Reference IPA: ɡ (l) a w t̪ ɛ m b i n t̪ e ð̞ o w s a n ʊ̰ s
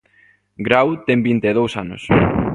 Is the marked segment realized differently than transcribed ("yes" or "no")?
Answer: yes